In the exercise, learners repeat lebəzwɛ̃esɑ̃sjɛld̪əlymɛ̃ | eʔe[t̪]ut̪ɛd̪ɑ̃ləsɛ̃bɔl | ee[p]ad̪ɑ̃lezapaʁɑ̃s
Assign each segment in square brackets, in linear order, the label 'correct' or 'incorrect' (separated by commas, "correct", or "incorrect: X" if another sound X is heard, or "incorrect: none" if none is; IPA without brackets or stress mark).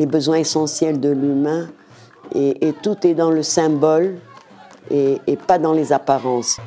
correct, correct